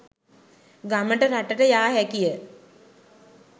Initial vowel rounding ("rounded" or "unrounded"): unrounded